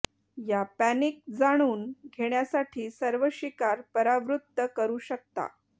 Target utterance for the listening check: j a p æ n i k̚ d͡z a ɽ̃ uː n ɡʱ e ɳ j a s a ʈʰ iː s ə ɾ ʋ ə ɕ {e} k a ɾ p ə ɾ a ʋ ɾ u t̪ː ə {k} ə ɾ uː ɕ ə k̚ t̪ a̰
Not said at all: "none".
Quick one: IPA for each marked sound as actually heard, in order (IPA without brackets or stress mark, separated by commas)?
i, k